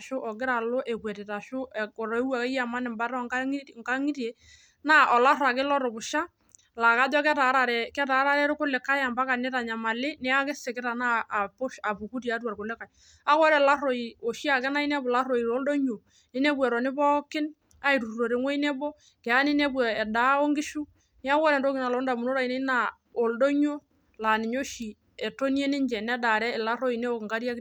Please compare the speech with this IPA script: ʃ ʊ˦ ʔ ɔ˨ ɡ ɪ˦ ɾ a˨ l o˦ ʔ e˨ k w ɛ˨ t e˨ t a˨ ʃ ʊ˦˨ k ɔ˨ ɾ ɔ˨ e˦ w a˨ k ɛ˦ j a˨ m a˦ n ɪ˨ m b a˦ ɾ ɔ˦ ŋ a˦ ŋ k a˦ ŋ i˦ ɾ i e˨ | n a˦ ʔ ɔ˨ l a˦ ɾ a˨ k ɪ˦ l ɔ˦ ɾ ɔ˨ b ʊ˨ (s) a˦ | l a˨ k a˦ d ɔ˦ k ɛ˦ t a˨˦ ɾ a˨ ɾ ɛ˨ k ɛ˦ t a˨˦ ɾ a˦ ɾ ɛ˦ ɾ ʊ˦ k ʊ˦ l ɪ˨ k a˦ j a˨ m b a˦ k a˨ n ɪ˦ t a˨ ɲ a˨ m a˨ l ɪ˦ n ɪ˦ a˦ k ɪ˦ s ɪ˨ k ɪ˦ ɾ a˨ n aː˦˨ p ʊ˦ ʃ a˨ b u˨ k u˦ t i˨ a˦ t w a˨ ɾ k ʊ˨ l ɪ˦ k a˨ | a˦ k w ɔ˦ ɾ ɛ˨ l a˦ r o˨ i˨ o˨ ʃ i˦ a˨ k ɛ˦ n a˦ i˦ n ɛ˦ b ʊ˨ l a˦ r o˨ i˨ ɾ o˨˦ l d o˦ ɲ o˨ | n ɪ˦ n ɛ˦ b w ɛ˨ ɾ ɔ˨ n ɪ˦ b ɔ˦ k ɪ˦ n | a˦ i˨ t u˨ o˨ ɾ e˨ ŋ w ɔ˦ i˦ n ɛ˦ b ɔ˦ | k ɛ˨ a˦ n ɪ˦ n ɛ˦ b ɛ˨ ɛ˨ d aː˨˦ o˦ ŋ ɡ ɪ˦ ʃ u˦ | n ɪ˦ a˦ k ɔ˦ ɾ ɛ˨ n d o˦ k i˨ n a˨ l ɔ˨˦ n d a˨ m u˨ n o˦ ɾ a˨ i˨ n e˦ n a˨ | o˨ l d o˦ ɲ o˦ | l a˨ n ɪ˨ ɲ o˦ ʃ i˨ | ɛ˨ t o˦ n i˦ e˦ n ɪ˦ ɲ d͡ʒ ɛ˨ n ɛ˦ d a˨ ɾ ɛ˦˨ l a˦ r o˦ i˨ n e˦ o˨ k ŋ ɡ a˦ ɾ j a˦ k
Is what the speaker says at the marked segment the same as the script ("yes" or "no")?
no